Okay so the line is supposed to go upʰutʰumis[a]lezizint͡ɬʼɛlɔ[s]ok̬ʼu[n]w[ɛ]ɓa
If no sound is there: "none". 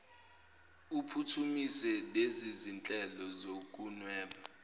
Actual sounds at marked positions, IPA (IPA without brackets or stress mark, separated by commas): ɛ, z, n, ɛː